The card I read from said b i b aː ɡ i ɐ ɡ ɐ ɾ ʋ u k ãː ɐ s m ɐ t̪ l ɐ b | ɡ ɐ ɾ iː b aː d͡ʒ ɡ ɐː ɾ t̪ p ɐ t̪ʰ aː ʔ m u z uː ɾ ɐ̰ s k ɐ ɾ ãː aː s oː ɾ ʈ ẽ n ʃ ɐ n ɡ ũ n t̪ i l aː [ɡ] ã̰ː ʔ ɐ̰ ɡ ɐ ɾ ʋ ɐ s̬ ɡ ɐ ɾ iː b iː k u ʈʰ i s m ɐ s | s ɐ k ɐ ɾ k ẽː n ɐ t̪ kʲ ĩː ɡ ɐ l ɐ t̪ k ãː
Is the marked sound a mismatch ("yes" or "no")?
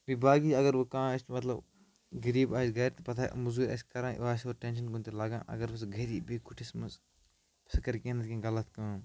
no